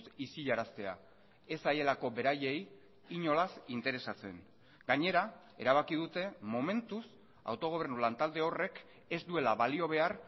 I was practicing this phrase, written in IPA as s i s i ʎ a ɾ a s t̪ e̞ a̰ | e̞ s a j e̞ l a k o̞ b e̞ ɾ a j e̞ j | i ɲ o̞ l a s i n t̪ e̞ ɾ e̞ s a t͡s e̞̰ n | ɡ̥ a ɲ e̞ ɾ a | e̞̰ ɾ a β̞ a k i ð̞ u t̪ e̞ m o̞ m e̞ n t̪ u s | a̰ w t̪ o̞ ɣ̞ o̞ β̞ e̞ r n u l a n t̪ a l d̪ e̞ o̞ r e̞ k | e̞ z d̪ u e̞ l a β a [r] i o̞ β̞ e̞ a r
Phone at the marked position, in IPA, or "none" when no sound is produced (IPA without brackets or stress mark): l